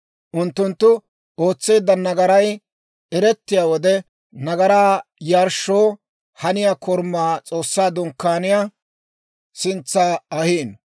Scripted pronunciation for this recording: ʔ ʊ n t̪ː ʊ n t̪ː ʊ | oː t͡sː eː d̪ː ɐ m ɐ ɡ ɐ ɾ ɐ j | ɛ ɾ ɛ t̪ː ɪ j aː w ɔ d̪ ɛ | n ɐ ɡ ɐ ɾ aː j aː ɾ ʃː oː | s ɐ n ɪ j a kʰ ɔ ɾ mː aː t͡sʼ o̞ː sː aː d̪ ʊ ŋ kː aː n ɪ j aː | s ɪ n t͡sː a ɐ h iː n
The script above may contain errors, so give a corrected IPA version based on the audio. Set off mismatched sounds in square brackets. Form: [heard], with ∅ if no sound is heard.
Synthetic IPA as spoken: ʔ ʊ n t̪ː ʊ n t̪ː ʊ | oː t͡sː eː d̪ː ɐ [n] ɐ ɡ ɐ ɾ ɐ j | ɛ ɾ ɛ t̪ː ɪ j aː w ɔ d̪ ɛ | n ɐ ɡ ɐ ɾ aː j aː ɾ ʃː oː | [h] ɐ n ɪ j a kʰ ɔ ɾ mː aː t͡sʼ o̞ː sː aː d̪ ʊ ŋ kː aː n ɪ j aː | s ɪ n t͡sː a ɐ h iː n